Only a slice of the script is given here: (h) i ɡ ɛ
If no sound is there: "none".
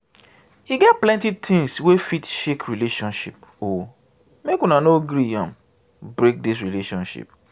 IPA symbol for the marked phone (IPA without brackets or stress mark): h